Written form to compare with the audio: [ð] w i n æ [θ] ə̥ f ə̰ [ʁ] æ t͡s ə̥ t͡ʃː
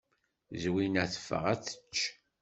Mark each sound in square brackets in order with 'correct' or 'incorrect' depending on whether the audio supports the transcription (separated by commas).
incorrect, correct, correct